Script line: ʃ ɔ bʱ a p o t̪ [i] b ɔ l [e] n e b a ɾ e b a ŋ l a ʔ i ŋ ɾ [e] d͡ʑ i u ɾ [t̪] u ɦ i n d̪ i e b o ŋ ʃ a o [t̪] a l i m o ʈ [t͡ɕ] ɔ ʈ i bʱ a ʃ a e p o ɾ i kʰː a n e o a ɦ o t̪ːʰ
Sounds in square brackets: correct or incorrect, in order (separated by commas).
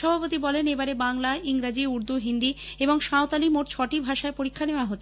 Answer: correct, correct, incorrect, incorrect, correct, incorrect